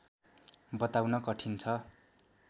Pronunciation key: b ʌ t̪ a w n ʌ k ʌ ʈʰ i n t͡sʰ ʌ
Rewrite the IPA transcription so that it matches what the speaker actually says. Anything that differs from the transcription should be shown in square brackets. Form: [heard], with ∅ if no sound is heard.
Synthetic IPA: b ʌ t̪ a w n ʌ k ʌ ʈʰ i n t͡sʰ ʌ